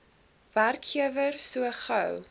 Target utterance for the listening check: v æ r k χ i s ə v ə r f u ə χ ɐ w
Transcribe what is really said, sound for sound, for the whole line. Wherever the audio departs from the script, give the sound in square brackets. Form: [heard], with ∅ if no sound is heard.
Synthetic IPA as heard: v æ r k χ i [∅] ə v ə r [s] u ə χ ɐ w